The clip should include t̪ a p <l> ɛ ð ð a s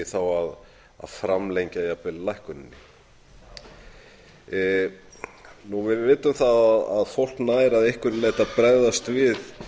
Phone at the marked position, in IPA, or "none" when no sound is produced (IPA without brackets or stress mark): ɾ